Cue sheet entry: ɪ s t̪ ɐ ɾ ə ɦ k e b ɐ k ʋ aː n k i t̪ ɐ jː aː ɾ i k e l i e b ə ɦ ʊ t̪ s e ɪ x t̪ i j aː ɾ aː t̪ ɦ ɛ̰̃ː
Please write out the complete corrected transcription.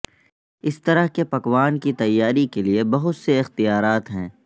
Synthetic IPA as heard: ɪ s t̪ ɐ ɾ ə ɦ k e p ɐ k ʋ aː n k i t̪ ɐ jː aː ɾ i k e l i e b ɐ ɦ ʊ t̪ s e ɪ x t̪ i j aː ɾ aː t̪ ɦ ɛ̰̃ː